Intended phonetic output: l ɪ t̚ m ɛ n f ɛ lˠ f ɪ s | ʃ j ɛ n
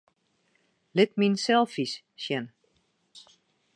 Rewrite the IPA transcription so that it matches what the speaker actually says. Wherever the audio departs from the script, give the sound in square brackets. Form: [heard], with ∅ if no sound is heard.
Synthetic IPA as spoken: l ɪ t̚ m [i] n [s] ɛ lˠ f [i] s | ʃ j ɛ n